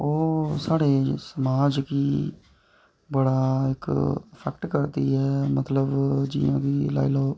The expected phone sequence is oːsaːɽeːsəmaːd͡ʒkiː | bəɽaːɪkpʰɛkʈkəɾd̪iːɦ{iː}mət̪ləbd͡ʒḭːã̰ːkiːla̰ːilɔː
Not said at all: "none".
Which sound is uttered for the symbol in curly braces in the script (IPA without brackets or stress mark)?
ɛː